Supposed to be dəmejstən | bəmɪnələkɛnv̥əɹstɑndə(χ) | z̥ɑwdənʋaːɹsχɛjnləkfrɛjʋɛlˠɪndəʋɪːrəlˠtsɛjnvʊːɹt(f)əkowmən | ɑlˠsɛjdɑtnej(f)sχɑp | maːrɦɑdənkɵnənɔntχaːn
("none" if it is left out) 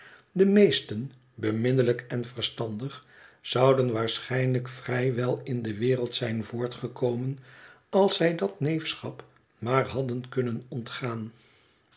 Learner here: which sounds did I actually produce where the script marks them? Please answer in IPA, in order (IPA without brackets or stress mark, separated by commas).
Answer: χ, χ, f